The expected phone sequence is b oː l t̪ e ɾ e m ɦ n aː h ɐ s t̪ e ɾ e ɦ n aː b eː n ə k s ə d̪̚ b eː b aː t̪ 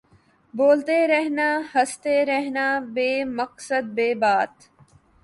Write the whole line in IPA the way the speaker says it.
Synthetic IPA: b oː l t̪ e ɾ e ɦ n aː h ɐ s t̪ e ɾ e ɦ n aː b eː m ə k s ə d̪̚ b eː b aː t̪